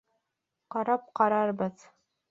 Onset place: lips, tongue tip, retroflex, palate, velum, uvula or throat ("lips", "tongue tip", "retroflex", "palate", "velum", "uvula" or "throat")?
uvula